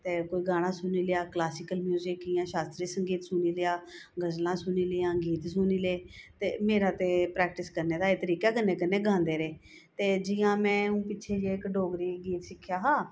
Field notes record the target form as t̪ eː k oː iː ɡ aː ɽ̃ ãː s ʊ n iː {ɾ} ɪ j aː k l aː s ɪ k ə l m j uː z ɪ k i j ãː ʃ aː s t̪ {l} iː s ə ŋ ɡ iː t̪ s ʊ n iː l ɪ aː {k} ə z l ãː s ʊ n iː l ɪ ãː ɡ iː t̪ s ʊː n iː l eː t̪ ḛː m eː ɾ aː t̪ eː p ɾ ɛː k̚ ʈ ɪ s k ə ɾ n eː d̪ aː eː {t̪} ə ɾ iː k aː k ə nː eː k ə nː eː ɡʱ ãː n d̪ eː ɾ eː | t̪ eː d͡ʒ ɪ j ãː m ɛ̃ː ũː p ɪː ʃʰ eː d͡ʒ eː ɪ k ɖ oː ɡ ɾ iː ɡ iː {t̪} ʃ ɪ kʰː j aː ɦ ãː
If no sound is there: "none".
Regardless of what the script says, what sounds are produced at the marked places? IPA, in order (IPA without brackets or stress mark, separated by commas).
l, ɾ, ɡ, t̪, t̪